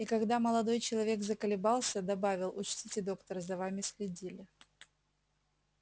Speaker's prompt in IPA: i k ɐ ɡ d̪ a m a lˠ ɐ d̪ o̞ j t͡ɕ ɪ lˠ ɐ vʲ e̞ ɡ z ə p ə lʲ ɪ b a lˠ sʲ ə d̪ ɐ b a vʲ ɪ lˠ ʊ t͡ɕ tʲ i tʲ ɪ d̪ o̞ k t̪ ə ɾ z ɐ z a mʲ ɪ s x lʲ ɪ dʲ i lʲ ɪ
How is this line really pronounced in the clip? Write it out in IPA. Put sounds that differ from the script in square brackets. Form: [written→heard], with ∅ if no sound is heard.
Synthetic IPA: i k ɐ ɡ d̪ a m [a→ə] lˠ ɐ d̪ o̞ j t͡ɕ ɪ lˠ ɐ vʲ e̞ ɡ z ə [p→k] ə lʲ ɪ b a lˠ sʲ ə d̪ ɐ b a vʲ ɪ lˠ ʊ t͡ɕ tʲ i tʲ ɪ d̪ o̞ k t̪ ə ɾ z ɐ [z→v] a mʲ ɪ s x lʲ ɪ dʲ i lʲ ɪ